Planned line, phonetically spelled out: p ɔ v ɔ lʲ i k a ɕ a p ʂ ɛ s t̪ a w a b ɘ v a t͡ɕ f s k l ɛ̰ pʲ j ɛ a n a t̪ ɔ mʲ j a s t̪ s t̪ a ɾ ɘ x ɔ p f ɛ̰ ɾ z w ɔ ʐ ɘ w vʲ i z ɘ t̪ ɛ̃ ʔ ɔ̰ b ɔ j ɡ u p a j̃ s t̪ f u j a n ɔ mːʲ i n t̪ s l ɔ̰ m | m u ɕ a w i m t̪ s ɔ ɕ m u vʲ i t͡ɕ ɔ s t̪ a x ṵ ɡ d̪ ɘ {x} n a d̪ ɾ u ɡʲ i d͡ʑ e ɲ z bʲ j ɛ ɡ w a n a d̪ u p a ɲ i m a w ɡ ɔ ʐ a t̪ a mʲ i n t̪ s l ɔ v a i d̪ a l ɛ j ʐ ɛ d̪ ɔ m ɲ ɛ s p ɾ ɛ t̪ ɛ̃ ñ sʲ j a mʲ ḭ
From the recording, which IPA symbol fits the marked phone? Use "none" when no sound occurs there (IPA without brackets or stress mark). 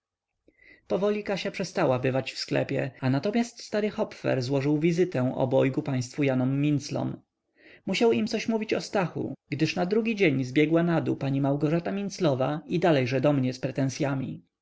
ʂ